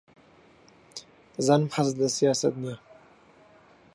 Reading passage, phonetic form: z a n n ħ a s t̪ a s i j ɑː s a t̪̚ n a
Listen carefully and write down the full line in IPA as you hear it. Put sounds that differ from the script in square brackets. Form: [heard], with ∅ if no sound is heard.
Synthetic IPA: z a n [m] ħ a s [d̪] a s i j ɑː s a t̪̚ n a